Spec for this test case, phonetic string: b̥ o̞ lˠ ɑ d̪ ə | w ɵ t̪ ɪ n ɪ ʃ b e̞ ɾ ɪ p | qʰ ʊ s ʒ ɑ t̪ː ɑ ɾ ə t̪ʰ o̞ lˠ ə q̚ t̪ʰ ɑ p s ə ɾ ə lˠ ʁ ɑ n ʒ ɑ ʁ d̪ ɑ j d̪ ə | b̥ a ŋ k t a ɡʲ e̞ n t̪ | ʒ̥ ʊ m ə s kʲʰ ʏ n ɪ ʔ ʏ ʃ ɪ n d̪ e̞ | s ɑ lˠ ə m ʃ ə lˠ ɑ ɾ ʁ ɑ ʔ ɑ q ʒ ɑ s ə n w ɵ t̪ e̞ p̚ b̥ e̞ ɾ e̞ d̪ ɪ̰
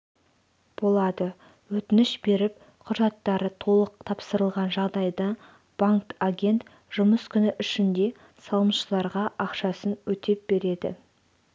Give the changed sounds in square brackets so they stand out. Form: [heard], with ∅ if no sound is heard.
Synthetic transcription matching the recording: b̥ o̞ lˠ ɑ d̪ ə | w ɵ t̪ ɪ n ɪ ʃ b e̞ ɾ ɪ p | qʰ ʊ [∅] ʒ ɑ t̪ː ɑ ɾ ə t̪ʰ o̞ lˠ ə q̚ t̪ʰ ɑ p s ə ɾ ə lˠ ʁ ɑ n ʒ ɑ ʁ d̪ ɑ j d̪ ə | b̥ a ŋ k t a ɡʲ e̞ n t̪ | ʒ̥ ʊ m ə s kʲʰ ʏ n ɪ ʔ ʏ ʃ ɪ n d̪ e̞ | s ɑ lˠ ə m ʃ ə lˠ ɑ ɾ ʁ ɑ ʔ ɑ q [ʃ] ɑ s ə n w ɵ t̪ e̞ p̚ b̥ e̞ ɾ e̞ d̪ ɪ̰